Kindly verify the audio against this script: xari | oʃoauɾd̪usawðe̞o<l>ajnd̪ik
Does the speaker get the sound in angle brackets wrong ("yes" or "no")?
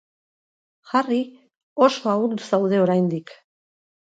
yes